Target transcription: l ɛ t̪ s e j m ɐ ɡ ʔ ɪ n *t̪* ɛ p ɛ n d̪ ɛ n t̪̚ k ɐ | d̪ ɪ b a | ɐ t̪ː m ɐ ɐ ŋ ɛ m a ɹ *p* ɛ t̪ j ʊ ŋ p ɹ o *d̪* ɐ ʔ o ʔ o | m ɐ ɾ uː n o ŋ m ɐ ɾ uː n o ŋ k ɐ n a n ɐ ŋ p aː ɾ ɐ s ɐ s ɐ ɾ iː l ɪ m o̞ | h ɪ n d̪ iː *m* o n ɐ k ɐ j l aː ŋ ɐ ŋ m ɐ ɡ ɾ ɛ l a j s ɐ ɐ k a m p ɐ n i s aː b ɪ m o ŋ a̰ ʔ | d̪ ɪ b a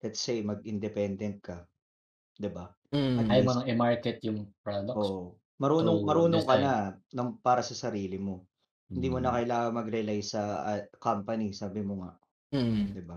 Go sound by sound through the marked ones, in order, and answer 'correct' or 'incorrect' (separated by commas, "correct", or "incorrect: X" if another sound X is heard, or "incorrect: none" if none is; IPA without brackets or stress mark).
incorrect: d̪, incorrect: k, correct, correct